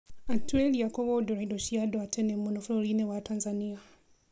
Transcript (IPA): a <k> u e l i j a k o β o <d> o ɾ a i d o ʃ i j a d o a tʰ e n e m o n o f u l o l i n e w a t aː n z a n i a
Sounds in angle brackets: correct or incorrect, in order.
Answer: incorrect, correct

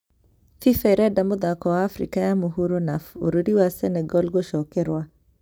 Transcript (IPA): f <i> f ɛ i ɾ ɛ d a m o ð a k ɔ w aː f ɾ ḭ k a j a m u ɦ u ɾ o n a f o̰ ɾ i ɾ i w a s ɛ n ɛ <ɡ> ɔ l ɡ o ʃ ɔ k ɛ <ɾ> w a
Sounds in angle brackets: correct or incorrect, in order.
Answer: correct, correct, correct

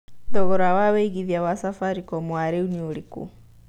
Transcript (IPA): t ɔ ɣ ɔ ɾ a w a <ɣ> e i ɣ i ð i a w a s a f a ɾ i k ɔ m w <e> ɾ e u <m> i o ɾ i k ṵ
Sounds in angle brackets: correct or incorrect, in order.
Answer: incorrect, incorrect, incorrect

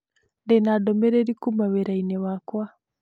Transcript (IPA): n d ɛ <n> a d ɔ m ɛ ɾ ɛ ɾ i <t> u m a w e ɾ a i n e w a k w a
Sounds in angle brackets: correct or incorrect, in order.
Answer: correct, incorrect

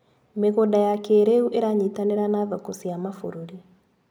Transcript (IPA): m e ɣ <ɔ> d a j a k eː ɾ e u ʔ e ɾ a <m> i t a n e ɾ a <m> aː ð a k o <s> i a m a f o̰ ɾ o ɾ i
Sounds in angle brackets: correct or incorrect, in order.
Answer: incorrect, incorrect, incorrect, correct

